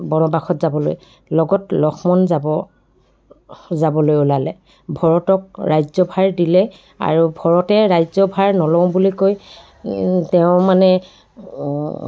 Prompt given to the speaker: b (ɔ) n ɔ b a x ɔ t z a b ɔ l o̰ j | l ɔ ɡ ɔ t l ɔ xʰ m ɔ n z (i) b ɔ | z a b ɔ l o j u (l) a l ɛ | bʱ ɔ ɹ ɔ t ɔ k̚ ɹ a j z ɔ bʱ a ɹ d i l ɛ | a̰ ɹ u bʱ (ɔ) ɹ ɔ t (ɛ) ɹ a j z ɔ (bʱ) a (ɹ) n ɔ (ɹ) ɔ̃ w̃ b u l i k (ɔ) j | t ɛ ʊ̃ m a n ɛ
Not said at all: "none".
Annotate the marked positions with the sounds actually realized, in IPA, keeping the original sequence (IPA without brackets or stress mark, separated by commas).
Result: ɔ, a, l, ɔ, ɛ, bʱ, ɹ, l, o